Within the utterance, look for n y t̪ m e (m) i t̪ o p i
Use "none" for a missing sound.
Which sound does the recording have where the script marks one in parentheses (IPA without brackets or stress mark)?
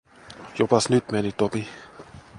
n